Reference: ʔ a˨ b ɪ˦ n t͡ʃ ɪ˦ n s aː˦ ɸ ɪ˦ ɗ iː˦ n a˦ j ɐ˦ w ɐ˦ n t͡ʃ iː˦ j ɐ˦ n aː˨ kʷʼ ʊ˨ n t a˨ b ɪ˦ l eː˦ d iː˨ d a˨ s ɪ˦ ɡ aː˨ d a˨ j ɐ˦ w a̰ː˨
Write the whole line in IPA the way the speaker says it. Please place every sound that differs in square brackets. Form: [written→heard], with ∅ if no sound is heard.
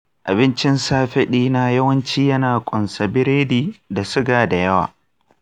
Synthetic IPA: ʔ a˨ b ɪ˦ n t͡ʃ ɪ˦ n s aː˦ ɸ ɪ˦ ɗ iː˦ n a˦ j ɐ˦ w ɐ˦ n t͡ʃ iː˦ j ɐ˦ n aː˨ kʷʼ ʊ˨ n [t→s] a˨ b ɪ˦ [l→ɾ] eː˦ d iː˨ d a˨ s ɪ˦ ɡ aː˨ d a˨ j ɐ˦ w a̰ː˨